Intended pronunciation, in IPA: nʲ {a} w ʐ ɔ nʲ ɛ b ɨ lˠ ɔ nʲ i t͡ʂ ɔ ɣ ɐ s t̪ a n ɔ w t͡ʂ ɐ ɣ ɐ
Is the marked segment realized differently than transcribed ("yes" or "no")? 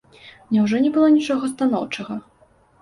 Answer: yes